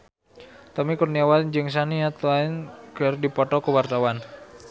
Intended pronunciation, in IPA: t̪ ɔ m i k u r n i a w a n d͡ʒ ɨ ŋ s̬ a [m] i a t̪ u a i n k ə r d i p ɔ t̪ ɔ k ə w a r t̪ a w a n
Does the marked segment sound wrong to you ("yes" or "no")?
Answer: yes